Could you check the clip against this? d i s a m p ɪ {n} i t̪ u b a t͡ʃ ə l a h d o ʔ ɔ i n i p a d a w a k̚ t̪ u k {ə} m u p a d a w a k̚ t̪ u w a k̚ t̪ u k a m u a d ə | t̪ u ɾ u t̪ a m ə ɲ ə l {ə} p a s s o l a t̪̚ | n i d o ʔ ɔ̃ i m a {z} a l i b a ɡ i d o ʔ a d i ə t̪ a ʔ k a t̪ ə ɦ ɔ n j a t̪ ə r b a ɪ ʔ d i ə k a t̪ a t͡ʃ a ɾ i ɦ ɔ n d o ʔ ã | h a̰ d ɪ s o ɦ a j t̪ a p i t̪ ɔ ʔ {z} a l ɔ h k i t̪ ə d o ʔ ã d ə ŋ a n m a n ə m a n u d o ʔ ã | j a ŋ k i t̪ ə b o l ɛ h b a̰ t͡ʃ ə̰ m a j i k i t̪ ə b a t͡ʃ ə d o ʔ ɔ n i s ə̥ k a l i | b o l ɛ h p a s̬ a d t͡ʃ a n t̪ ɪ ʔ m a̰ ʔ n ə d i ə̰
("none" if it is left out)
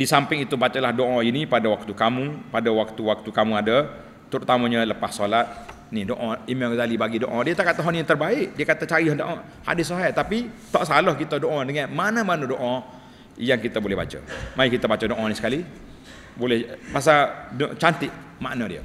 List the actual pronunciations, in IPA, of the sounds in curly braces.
ŋ, a, ə, z, s

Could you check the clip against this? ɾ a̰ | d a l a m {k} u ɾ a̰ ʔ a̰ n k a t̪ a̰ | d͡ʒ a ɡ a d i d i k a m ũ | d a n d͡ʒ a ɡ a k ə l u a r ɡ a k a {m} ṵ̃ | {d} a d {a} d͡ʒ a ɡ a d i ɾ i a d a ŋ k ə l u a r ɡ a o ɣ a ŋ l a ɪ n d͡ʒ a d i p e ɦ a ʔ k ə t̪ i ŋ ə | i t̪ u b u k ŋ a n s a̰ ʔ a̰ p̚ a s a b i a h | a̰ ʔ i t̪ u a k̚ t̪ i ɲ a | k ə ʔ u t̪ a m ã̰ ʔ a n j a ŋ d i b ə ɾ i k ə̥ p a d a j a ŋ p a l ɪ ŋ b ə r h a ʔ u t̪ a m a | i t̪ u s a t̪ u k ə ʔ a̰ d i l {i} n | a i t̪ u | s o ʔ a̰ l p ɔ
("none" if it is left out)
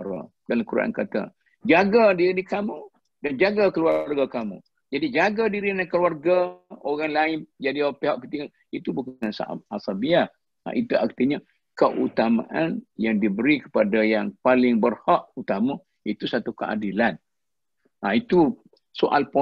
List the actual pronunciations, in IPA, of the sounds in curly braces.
k, m, d͡ʒ, i, a

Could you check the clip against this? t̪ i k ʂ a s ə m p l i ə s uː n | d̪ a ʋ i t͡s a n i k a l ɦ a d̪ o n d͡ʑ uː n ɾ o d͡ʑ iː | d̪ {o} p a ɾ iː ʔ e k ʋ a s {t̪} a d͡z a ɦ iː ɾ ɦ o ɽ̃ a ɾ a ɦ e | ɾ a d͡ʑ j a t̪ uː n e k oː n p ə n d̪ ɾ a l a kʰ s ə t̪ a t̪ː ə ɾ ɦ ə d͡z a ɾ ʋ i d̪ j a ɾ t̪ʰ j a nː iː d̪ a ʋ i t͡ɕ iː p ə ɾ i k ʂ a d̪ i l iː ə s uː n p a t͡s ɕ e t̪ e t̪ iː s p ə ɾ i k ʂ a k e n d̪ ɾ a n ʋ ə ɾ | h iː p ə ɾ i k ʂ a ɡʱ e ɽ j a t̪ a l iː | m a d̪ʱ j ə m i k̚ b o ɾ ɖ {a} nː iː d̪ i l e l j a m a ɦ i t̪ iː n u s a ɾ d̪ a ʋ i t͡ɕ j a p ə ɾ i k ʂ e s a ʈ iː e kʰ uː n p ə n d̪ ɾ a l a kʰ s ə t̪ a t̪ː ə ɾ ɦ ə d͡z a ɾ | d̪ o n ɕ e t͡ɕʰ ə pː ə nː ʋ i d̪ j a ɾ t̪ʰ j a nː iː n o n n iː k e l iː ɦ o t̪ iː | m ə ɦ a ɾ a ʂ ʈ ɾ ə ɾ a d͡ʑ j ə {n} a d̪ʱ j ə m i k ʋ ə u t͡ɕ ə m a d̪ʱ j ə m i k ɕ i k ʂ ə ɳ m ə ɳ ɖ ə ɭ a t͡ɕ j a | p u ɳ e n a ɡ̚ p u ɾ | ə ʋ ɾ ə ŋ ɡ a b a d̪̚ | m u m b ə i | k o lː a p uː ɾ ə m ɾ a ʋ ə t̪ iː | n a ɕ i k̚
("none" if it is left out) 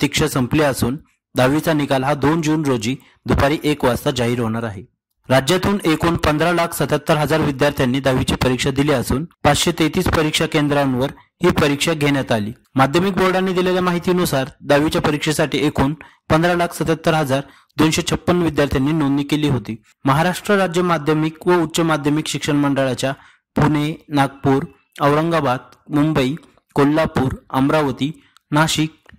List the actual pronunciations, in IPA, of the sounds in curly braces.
u, t̪, a, m

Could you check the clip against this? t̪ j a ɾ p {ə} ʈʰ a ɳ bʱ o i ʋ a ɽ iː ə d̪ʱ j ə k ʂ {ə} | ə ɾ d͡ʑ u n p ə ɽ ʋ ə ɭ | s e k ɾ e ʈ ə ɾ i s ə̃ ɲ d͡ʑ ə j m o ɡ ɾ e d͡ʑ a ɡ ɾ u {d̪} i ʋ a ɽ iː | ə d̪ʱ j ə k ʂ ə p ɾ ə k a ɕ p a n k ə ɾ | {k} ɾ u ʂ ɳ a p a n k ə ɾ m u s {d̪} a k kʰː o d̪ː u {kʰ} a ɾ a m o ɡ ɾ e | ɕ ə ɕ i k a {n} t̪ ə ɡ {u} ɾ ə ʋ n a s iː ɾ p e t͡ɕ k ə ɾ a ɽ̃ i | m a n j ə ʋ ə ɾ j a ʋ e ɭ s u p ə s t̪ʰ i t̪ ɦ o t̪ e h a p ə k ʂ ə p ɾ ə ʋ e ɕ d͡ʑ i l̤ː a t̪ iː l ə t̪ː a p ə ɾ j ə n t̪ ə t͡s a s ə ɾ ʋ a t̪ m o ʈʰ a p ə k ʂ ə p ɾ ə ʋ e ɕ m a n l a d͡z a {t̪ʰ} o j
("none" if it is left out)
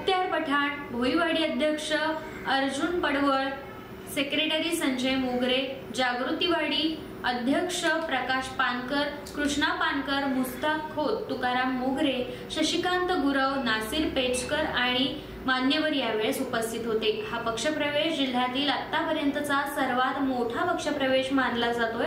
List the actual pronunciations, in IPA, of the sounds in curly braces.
ə, ə, t̪, k, t̪, k, n, u, t̪

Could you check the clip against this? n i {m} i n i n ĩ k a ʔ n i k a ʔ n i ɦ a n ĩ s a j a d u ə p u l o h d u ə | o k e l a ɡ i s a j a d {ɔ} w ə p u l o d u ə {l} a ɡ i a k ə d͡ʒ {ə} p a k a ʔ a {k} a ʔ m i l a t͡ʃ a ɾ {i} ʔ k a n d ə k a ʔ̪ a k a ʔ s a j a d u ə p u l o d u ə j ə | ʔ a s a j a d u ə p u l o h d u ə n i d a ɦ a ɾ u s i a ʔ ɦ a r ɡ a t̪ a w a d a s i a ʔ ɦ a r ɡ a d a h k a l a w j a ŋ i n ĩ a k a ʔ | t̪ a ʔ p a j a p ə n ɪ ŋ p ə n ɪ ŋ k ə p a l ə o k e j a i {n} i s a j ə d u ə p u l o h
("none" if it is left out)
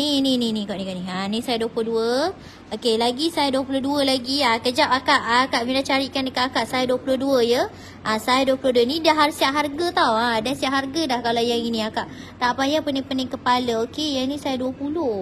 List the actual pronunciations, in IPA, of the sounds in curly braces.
n, u, l, a, k, i, n

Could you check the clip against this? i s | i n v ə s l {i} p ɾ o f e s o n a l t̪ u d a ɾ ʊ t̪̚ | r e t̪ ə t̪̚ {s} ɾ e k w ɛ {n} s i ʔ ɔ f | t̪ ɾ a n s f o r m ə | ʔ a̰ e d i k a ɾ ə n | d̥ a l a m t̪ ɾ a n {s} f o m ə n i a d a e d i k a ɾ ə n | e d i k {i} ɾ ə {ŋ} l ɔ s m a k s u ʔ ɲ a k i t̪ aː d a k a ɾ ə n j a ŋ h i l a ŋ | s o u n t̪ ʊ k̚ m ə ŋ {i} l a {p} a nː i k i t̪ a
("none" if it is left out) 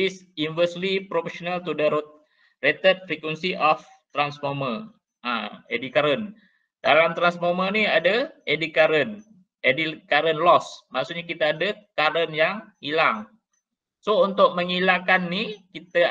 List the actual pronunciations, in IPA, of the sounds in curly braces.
i, f, n, s, a, n, i, k

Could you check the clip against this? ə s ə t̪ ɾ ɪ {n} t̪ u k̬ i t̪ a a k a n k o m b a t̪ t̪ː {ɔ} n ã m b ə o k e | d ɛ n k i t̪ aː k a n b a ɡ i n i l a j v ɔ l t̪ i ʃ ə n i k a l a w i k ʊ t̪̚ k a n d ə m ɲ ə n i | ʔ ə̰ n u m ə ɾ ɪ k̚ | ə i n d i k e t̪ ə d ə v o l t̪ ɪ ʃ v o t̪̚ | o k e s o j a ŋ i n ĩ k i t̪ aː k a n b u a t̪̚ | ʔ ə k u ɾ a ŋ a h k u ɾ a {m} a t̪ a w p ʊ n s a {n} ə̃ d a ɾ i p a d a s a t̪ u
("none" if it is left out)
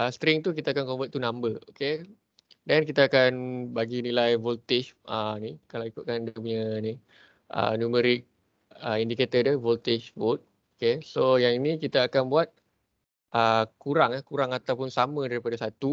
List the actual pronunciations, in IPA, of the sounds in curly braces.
ŋ, u, ŋ, m

